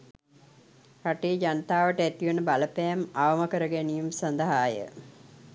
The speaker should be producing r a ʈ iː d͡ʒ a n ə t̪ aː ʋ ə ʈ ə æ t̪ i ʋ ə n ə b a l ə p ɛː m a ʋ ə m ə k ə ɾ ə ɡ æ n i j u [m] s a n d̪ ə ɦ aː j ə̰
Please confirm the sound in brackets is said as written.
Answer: yes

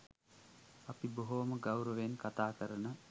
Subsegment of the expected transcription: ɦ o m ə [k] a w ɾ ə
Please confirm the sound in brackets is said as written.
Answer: no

